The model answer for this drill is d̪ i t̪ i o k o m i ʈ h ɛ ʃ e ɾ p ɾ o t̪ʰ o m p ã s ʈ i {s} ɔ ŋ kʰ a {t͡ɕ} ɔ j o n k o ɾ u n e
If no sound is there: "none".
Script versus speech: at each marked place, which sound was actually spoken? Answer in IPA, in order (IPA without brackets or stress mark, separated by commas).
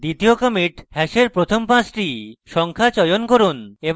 ʃ, t͡ɕ